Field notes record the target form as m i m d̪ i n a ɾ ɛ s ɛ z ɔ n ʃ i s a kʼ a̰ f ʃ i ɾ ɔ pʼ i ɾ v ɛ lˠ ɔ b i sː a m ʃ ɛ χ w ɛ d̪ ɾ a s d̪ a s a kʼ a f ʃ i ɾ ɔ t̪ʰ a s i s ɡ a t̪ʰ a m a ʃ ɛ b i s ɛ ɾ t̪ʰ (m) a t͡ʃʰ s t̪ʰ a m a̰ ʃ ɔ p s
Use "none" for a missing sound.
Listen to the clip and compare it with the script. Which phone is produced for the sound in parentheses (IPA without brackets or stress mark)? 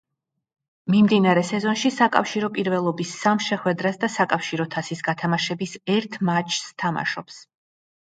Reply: m